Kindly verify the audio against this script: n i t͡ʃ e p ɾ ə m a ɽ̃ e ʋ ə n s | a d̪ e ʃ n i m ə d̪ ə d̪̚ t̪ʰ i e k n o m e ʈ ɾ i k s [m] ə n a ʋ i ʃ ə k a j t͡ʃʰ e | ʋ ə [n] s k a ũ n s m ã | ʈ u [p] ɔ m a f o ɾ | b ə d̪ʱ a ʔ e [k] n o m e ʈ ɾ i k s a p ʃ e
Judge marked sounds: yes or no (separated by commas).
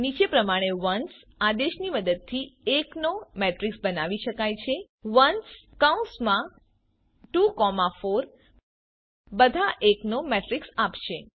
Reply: no, yes, no, yes